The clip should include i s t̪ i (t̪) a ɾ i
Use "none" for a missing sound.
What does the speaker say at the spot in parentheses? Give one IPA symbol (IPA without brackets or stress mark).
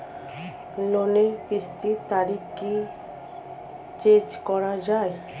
t̪